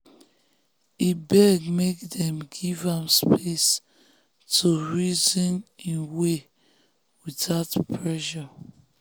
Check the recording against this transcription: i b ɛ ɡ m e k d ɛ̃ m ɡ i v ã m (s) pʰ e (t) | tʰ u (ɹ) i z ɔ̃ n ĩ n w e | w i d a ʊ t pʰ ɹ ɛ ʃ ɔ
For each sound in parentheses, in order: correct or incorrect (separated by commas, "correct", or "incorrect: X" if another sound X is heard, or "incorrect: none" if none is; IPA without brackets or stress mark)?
correct, incorrect: s, correct